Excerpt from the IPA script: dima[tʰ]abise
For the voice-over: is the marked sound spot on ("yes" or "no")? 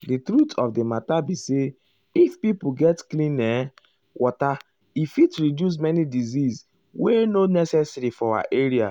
no